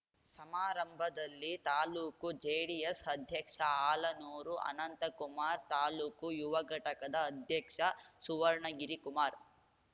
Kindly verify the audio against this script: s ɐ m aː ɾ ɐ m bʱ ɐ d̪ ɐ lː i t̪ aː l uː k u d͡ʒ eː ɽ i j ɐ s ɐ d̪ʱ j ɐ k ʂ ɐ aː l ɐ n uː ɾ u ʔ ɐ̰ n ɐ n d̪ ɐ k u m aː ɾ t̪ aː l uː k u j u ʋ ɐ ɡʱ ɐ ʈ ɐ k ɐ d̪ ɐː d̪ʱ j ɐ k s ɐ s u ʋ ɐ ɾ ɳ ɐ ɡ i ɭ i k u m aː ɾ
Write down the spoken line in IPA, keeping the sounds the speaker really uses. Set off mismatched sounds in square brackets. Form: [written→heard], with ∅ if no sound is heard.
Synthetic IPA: s ɐ m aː ɾ ɐ m bʱ ɐ d̪ ɐ lː i t̪ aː l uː k u d͡ʒ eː ɽ i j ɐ s ɐ d̪ʱ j ɐ k ʂ ɐ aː l ɐ n uː ɾ u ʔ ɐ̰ n ɐ n [d̪→t̪] ɐ k u m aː ɾ t̪ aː l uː k u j u ʋ ɐ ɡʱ ɐ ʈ ɐ k ɐ d̪ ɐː d̪ʱ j ɐ k [s→ʂ] ɐ s u ʋ ɐ ɾ ɳ ɐ ɡ i [ɭ→ɾ] i k u m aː ɾ